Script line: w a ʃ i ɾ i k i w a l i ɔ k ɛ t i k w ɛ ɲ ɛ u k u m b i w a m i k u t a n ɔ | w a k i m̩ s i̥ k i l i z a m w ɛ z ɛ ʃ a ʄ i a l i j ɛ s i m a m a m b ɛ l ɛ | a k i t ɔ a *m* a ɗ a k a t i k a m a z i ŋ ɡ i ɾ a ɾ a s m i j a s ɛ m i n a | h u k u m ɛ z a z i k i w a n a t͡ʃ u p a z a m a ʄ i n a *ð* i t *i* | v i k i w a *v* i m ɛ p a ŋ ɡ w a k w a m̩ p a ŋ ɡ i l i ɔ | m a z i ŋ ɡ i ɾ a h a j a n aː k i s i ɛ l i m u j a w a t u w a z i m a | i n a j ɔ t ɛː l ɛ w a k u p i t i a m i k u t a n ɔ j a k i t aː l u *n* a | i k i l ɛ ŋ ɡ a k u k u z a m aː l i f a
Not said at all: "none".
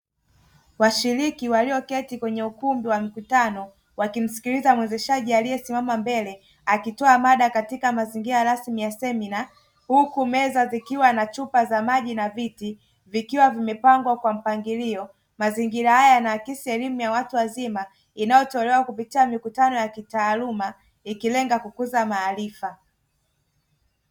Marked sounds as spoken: m, v, i, v, m

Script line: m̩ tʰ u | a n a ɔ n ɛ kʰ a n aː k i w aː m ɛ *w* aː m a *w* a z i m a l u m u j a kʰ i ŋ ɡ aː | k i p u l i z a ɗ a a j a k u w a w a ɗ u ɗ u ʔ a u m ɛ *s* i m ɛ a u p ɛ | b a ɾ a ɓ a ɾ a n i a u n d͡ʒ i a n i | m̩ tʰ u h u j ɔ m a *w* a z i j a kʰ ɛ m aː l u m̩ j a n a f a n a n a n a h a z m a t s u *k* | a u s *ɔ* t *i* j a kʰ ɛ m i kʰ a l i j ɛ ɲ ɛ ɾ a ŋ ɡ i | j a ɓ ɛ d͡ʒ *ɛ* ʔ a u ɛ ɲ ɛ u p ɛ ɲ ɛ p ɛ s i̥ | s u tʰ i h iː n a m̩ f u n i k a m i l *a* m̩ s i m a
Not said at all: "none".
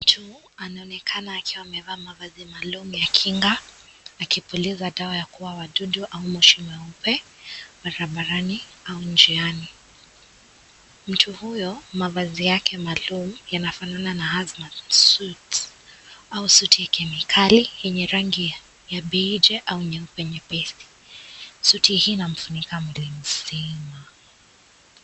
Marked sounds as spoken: v, v, ʃ, v, t, u, i, ɛ, i

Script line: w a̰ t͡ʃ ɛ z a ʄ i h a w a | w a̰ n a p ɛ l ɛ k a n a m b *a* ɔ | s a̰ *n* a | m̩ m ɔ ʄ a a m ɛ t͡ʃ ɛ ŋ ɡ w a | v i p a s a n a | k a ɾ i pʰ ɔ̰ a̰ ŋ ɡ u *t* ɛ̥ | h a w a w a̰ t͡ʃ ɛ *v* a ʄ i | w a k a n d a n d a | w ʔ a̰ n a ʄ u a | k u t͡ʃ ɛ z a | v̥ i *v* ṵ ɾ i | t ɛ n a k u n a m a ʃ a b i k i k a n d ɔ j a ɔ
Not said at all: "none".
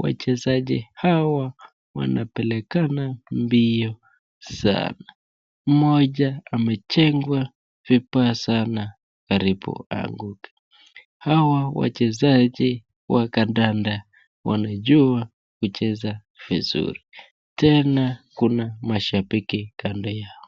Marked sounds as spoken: i, n, k, z, z

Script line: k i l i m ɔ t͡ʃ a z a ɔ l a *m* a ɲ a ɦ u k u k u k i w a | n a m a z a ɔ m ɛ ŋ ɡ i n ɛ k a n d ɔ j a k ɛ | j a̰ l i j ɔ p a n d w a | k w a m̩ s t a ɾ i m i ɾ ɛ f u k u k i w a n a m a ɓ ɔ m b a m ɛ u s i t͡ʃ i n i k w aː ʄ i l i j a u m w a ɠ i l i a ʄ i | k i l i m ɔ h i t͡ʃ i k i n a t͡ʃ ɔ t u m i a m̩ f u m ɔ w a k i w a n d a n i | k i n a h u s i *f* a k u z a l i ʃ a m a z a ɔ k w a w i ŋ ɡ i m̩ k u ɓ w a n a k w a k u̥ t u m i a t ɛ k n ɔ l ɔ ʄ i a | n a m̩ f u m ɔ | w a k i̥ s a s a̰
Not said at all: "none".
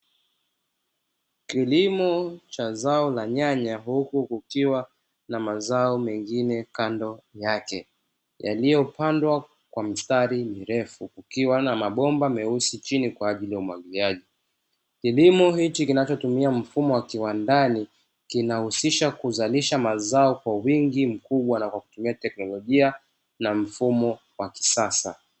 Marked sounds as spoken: ɲ, ʃ

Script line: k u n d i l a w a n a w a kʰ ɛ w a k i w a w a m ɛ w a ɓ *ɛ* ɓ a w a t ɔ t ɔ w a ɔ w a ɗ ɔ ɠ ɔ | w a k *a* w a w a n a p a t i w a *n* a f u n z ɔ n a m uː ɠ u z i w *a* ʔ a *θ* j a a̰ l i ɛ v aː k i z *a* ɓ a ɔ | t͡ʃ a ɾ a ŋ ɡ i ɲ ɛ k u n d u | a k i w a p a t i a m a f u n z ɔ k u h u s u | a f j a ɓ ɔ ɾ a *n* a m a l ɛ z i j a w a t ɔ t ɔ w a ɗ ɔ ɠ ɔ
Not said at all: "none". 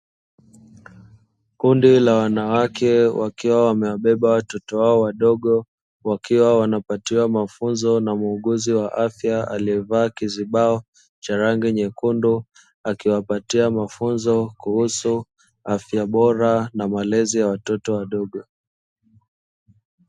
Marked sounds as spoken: ɛ, i, m, a, f, i, n

